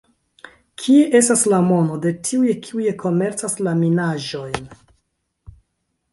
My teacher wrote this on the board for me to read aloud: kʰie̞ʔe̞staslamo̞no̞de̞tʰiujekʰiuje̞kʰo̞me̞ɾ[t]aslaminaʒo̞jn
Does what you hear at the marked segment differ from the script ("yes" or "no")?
yes